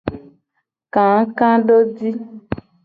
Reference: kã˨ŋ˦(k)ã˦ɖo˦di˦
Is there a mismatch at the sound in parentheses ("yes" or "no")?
no